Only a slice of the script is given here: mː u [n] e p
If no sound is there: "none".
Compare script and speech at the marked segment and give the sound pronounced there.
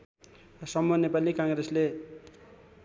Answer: n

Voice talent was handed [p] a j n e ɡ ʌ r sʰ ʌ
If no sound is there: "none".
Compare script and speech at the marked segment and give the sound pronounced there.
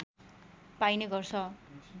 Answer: p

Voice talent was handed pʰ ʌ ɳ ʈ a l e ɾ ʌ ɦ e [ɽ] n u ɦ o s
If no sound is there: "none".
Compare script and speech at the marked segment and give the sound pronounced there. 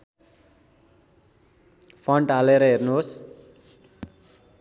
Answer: r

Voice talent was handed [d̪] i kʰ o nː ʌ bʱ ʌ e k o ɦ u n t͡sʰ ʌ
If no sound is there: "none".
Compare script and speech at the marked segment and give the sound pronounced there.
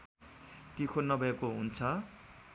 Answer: t̪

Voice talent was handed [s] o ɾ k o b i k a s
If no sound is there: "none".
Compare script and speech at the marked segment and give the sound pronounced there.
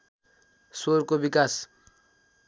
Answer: s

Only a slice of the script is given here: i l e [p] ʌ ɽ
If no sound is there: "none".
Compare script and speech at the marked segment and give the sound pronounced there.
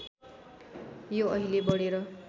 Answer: b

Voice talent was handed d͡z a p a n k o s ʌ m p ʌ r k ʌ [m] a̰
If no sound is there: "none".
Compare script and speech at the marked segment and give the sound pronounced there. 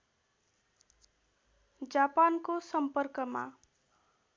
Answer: m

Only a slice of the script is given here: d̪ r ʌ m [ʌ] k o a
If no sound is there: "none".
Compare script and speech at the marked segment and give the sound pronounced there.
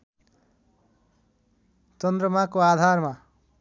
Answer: a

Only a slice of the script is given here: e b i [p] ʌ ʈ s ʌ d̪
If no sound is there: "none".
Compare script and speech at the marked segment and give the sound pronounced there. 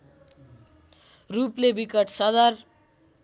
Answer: k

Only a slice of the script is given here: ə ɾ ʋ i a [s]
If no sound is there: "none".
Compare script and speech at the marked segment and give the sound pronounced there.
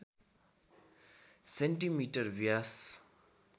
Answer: s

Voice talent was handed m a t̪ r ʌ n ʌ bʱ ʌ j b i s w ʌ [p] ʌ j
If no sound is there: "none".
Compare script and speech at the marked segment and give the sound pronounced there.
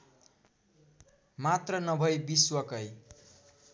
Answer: k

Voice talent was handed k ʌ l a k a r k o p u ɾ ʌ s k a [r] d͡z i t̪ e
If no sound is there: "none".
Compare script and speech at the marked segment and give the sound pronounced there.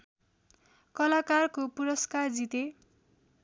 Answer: r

